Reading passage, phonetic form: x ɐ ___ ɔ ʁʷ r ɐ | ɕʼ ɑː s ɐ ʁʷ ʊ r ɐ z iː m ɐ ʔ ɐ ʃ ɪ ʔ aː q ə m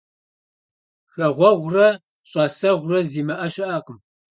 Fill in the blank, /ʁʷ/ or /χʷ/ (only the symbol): ʁʷ